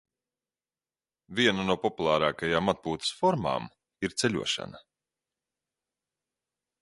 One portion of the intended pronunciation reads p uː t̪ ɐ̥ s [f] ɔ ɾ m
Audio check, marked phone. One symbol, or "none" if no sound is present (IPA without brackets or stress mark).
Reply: f